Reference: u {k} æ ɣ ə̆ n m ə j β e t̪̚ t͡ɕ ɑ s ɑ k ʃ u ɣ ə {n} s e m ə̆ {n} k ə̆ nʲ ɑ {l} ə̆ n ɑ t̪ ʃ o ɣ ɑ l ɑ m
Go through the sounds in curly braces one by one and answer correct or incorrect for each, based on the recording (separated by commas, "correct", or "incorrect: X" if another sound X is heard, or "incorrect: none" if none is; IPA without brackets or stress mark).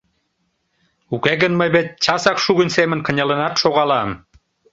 correct, correct, correct, correct